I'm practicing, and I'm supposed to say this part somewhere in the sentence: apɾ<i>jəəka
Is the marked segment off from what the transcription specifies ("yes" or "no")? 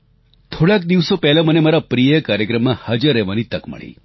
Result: no